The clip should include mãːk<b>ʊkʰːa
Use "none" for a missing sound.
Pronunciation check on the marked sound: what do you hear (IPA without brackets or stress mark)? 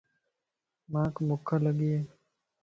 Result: m